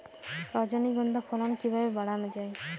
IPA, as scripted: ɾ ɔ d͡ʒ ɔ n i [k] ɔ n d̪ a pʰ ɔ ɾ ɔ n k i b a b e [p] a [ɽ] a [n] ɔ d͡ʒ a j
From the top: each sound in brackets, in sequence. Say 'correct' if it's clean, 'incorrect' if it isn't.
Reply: incorrect, incorrect, correct, correct

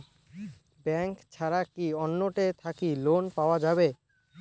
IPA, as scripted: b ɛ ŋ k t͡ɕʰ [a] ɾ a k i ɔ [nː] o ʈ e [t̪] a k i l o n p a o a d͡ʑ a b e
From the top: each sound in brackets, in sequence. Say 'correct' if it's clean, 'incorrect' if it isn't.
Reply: correct, correct, incorrect

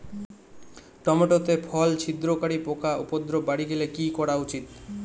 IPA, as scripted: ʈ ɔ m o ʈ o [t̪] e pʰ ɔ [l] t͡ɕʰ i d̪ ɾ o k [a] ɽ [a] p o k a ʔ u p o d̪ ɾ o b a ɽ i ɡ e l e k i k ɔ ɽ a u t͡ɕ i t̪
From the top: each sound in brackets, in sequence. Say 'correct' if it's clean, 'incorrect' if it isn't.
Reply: correct, correct, correct, incorrect

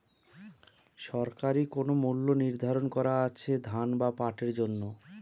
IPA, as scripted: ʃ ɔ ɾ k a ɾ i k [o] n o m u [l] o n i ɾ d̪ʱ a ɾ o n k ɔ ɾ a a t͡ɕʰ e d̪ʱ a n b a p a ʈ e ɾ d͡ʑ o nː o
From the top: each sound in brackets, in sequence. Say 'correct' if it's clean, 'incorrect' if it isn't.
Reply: correct, incorrect

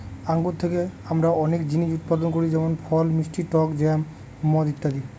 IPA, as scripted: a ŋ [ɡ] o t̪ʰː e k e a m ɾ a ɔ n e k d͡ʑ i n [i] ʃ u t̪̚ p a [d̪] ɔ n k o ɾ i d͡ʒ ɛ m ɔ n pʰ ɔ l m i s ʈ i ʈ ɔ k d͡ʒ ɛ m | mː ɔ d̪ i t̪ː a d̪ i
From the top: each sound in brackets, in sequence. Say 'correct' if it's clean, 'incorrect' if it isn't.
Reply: correct, correct, correct

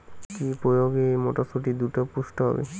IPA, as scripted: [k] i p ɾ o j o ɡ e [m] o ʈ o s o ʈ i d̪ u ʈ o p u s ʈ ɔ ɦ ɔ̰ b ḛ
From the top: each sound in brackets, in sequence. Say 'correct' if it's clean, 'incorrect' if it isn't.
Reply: correct, correct

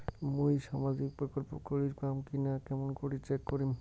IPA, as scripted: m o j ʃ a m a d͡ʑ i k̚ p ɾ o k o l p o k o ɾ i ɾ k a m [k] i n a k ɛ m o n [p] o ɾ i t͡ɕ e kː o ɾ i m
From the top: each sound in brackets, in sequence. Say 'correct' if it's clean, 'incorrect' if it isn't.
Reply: correct, incorrect

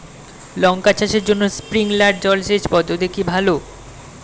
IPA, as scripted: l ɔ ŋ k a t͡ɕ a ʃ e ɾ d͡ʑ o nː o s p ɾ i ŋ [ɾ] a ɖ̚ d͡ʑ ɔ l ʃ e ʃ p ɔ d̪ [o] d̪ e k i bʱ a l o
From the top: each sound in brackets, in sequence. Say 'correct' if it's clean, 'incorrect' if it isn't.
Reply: incorrect, correct

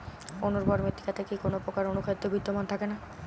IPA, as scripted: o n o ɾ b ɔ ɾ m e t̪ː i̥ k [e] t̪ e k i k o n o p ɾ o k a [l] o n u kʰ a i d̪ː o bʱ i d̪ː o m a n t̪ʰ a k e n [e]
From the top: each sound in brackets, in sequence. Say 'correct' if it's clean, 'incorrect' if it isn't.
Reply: incorrect, incorrect, incorrect

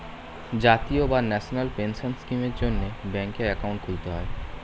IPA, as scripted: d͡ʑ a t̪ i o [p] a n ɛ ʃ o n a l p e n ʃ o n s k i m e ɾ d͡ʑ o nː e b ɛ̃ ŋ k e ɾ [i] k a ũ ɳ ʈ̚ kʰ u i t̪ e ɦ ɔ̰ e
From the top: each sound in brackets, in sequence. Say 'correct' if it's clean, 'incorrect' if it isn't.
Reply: incorrect, incorrect

